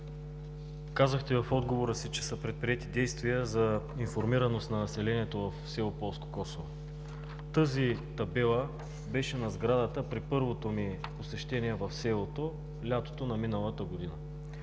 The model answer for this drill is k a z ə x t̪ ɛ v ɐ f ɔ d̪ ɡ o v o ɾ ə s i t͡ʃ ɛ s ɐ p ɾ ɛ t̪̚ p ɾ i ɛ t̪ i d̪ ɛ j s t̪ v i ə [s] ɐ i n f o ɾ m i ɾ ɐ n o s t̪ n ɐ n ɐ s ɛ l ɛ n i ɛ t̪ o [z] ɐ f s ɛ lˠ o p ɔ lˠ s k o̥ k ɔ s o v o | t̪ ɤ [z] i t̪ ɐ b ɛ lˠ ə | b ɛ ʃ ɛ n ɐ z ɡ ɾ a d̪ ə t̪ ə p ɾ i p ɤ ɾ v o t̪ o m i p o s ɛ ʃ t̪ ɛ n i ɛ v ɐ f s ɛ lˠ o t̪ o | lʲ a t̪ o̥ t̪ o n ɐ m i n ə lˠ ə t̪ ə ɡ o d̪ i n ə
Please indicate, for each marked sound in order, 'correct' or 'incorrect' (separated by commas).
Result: incorrect, incorrect, correct